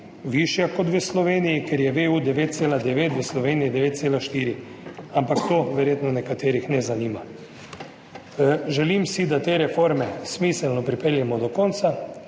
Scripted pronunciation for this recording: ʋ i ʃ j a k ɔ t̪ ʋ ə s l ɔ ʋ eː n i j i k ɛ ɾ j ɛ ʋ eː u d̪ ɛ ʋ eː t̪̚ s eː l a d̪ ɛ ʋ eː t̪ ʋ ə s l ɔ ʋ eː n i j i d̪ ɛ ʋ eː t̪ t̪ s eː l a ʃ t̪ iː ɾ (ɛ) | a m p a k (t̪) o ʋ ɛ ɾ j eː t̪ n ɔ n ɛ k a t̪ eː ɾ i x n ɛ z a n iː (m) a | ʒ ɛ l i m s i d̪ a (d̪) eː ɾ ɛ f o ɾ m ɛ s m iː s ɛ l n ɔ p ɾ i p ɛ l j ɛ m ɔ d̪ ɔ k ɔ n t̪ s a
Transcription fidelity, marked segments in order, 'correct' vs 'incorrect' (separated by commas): incorrect, correct, correct, incorrect